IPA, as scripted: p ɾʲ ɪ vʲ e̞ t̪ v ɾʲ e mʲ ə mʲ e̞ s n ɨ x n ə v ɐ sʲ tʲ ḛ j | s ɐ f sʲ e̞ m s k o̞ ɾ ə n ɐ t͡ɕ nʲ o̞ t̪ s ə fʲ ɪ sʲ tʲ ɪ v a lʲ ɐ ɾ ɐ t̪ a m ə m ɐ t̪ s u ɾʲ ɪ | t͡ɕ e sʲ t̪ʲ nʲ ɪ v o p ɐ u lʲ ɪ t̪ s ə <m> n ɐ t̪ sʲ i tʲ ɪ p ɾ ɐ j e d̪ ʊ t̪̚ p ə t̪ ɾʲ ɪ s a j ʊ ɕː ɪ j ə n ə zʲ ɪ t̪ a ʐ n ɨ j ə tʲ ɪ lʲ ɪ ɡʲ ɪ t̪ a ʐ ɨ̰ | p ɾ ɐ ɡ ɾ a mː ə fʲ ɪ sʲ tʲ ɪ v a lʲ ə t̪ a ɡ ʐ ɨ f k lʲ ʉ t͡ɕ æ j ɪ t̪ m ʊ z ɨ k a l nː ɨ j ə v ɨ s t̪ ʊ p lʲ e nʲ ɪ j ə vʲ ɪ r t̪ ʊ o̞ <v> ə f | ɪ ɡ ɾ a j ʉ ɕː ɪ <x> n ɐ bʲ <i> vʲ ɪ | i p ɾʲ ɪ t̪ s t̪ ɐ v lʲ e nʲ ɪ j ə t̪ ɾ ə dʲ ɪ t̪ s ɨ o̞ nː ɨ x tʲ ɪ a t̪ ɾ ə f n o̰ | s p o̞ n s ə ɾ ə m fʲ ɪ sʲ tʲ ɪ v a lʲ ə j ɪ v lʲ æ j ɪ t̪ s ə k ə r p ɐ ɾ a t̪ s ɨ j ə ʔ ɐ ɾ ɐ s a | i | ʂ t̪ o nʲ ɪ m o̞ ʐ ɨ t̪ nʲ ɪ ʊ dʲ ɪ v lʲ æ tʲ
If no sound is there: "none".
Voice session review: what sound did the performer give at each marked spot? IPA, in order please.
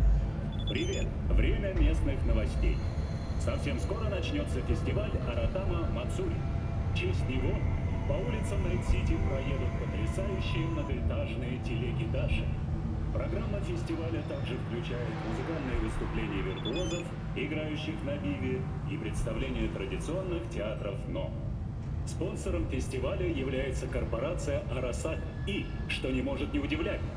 m, z, x, i

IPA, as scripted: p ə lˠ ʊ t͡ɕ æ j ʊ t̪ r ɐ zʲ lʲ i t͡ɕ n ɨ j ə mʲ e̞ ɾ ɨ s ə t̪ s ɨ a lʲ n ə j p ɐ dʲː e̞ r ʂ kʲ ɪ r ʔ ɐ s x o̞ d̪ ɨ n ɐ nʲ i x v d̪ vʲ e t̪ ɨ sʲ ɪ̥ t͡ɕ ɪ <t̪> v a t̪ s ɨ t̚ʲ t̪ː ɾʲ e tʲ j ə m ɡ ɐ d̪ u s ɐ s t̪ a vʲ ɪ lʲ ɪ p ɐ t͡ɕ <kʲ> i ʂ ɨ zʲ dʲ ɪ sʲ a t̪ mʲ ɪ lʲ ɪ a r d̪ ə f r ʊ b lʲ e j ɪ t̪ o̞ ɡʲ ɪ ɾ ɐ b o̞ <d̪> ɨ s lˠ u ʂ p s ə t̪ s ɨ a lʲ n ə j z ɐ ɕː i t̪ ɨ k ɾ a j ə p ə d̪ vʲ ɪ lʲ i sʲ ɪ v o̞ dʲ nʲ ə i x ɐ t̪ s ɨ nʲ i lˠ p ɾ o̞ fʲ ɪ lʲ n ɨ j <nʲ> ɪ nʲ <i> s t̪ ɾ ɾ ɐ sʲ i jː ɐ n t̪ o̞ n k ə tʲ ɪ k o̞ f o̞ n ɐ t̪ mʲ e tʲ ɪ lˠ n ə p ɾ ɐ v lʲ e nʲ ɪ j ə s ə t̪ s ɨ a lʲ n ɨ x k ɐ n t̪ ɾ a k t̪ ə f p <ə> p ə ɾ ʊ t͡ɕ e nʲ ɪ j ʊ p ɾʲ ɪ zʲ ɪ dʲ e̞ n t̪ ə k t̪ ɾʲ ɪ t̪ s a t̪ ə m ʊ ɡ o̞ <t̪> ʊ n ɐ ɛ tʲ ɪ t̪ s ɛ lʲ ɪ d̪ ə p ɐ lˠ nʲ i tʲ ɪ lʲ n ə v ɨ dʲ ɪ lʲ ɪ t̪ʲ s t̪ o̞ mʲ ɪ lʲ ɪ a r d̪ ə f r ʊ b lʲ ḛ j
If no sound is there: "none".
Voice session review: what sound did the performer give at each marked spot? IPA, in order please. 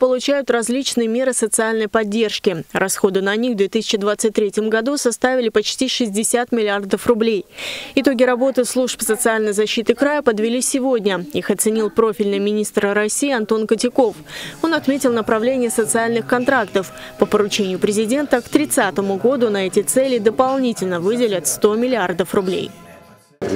d̪, tʲ, t̪, mʲ, i, ə, d̪

